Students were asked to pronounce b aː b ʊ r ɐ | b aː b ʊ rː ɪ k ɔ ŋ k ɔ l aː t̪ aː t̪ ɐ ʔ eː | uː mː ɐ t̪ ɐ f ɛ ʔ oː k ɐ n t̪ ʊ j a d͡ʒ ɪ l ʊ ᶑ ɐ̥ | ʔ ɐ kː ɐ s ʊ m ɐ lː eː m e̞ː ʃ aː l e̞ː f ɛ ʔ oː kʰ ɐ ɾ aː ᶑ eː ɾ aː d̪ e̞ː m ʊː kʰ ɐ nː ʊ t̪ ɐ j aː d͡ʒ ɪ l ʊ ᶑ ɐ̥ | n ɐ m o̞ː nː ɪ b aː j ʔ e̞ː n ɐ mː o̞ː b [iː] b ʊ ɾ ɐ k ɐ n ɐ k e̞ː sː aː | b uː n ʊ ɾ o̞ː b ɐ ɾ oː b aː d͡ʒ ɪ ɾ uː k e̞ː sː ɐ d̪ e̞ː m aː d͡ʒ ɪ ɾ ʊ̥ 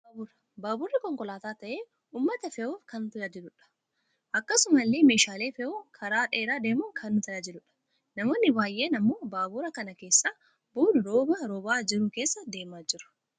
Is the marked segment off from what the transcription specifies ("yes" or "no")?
yes